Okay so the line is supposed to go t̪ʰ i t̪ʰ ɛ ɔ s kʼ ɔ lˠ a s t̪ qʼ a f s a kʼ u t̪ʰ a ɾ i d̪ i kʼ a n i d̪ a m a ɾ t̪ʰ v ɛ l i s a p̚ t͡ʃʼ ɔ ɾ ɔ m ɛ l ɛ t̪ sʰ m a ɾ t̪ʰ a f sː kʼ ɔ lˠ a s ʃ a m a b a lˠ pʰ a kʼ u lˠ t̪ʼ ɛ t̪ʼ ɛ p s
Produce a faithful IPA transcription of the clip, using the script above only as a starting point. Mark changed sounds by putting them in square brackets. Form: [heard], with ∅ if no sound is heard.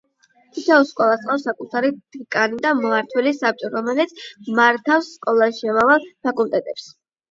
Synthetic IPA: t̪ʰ i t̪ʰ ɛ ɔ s kʼ ɔ lˠ a s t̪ qʼ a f s a kʼ u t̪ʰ a ɾ i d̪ i kʼ a n i d̪ a m a ɾ t̪ʰ [w] ɛ l i s a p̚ t͡ʃʼ ɔ ɾ ɔ m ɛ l ɛ t̪ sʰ m a ɾ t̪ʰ a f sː kʼ ɔ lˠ a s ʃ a m a [v] a lˠ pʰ a kʼ u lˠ t̪ʼ ɛ t̪ʼ ɛ p s